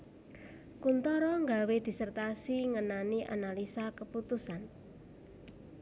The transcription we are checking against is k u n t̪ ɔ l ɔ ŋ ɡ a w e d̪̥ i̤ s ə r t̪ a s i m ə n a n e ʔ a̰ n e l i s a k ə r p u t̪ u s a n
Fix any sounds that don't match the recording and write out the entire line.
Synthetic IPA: k u n t̪ ɔ ɾ ɔ ŋ ɡ a w e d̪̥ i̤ s ə r t̪ a s i ŋ ə n a n i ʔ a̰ n a l i s a k ə p u t̪ u s a n